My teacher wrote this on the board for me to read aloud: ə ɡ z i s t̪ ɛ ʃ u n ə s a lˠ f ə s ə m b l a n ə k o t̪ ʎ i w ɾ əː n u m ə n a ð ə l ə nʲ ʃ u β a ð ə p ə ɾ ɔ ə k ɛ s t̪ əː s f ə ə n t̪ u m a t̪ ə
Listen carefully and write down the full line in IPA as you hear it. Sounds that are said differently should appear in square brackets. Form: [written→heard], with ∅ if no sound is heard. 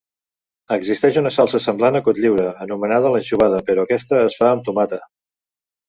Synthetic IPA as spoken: ə ɡ z i s t̪ ɛ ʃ u n ə s a lˠ [f→s] ə s ə m b l a n ə k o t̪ ʎ i w ɾ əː n u m ə n a ð ə l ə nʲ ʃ u β a ð ə p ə ɾ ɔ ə k ɛ s t̪ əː s f [ə→a] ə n t̪ u m a t̪ ə